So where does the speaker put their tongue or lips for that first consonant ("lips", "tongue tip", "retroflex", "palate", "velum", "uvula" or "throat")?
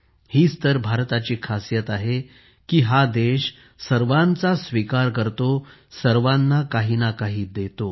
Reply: throat